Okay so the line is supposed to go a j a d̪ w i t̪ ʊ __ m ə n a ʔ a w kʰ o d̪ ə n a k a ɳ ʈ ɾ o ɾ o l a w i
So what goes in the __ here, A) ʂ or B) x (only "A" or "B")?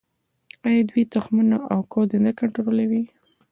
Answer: B